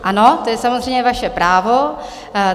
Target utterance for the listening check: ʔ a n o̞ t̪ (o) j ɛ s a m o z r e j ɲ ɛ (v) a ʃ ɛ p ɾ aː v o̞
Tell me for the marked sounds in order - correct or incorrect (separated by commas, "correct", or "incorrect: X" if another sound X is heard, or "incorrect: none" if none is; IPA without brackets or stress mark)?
correct, correct